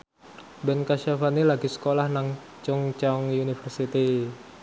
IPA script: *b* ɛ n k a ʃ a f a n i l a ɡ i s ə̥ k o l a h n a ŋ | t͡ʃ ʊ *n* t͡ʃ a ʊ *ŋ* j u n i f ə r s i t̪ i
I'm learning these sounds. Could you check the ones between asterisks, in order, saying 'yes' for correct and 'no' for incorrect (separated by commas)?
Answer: yes, no, yes